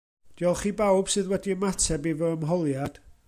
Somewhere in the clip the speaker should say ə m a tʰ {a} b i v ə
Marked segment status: incorrect: ɛ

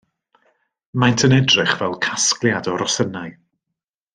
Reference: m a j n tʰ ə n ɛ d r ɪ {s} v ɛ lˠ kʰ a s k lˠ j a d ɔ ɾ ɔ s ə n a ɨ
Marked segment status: incorrect: χ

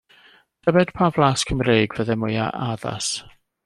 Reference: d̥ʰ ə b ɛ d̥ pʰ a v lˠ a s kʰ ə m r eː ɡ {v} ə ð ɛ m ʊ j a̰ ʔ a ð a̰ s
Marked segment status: correct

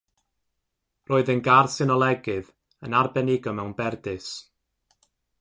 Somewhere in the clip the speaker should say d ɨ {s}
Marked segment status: correct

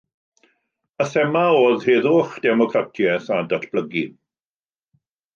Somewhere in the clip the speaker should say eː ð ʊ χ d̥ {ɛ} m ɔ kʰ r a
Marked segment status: correct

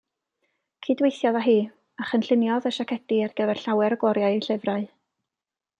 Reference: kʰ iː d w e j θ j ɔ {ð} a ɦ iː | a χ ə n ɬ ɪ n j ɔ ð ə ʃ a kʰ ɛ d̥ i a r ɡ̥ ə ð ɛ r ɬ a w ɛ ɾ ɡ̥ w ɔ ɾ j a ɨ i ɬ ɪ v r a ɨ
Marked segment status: correct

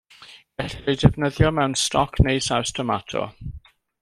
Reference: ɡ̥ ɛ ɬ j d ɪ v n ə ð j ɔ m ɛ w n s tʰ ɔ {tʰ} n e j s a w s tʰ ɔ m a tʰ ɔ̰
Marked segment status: incorrect: kʰ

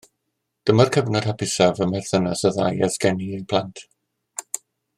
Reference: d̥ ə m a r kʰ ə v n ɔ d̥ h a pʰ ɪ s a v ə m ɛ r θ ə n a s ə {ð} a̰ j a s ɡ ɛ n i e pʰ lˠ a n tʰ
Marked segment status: correct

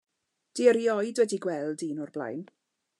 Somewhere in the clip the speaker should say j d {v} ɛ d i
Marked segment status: incorrect: w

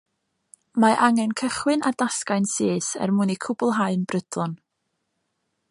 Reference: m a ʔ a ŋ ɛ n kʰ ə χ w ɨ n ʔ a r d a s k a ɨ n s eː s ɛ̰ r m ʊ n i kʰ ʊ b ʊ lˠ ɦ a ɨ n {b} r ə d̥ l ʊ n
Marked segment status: correct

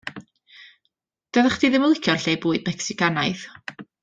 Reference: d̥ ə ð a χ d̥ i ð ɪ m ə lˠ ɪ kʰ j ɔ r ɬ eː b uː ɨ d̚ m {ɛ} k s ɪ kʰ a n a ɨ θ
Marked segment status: correct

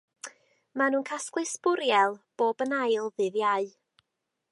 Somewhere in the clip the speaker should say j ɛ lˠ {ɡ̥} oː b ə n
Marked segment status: incorrect: b̥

